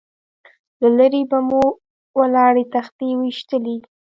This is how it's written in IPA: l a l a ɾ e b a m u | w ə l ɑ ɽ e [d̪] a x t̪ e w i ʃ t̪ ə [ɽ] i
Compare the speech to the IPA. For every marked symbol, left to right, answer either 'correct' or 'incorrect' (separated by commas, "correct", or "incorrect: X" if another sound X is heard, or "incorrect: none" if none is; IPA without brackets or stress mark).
incorrect: t̪, incorrect: l